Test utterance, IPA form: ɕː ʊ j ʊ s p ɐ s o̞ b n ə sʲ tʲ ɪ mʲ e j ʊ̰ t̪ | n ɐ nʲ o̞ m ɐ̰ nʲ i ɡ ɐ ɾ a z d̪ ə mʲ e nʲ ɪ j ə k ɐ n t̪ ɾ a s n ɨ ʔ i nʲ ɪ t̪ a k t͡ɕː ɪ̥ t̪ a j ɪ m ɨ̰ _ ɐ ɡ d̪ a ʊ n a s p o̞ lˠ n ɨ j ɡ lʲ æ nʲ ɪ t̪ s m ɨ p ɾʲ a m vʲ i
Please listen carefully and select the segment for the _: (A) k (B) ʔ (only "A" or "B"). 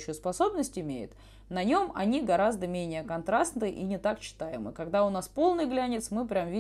A